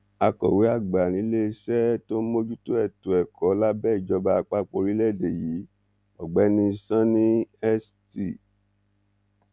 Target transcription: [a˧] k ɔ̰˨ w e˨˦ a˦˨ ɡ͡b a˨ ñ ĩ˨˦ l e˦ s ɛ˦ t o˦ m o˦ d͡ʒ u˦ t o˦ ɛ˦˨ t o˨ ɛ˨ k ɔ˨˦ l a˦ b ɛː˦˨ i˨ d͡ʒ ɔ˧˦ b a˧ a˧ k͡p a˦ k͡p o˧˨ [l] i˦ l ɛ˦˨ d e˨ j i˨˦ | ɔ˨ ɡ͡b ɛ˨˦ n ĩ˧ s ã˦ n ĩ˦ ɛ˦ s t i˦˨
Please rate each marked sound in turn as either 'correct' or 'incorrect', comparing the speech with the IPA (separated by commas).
correct, incorrect